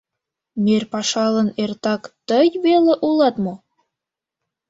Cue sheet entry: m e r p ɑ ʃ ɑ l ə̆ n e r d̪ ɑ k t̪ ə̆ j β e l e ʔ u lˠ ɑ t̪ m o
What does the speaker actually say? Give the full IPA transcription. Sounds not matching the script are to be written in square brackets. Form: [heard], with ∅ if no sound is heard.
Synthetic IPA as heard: m e r p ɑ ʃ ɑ l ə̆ n e r [t̪] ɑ k t̪ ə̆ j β e l e ʔ u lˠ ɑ t̪ m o